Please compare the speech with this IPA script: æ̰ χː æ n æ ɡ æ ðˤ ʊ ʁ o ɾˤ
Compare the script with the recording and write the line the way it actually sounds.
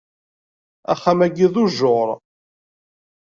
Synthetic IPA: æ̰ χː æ m æ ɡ i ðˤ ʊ ʒ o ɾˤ